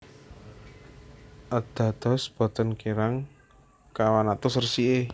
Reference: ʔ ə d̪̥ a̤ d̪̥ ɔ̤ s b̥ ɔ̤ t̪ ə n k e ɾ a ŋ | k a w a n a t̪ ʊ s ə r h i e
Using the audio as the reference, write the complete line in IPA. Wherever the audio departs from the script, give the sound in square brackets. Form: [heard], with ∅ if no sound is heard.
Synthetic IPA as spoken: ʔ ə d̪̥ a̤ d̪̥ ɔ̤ s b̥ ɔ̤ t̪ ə n k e ɾ a ŋ | k a w a n a t̪ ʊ s ə r [s] i e